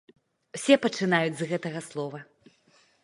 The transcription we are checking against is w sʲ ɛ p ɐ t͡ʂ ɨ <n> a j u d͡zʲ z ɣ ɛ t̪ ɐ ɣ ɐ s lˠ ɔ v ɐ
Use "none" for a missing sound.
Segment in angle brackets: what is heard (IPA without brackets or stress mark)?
n